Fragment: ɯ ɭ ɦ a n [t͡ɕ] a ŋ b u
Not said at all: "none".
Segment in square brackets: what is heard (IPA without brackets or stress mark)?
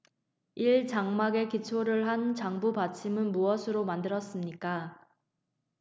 t͡ɕ